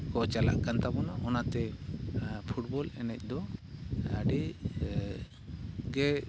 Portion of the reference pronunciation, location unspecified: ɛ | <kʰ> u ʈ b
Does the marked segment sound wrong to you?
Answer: yes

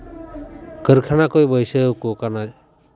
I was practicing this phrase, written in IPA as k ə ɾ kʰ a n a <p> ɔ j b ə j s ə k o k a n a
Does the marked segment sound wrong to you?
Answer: yes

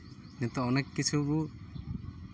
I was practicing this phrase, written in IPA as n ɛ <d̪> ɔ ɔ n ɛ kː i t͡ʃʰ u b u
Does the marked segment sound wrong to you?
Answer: yes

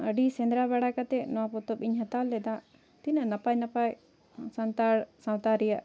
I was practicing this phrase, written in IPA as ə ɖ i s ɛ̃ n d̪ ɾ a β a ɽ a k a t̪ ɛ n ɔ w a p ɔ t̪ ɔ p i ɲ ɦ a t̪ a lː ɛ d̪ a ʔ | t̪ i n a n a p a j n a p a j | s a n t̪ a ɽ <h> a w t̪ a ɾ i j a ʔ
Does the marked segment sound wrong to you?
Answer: yes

